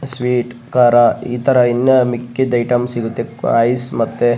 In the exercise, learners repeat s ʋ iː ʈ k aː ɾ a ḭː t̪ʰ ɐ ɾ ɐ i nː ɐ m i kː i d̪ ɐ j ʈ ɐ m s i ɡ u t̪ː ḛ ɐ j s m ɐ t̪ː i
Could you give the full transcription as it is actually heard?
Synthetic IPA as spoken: s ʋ iː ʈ k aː ɾ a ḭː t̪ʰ ɐ ɾ ɐ i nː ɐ m i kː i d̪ ɐ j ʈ ɐ m s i ɡ u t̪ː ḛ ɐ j s m ɐ t̪ː e